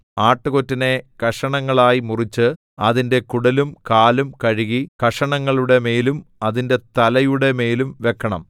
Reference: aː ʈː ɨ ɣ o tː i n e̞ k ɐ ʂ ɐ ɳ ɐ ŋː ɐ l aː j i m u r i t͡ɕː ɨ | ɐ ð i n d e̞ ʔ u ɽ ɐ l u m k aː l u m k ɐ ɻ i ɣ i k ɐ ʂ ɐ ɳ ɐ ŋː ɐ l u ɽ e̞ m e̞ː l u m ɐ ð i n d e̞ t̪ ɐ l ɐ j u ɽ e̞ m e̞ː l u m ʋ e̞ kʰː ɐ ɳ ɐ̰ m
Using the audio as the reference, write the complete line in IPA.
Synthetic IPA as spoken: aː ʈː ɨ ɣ o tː i n e̞ k ɐ ʂ ɐ ɳ ɐ ŋː ɐ ɭ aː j i m u r i t͡ɕː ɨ | ɐ ð i n d e̞ k u ɽ ɐ l u m k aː l u m k ɐ ɻ i ɣ i k ɐ ʂ ɐ ɳ ɐ ŋː ɐ ɭ u ɽ e̞ m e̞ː l u m ɐ ð i n d e̞ t̪ ɐ l ɐ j u ɽ e̞ m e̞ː l u m ʋ e̞ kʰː ɐ ɳ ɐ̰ m